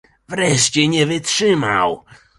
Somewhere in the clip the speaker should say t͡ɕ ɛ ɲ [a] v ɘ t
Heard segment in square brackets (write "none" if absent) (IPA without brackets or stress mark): ɛ